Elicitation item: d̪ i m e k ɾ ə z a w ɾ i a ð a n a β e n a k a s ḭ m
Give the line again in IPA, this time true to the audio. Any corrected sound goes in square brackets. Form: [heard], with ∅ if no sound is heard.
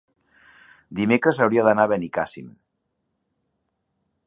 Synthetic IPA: d̪ i m e k ɾ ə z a w ɾ i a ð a n a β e n [i] k a s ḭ m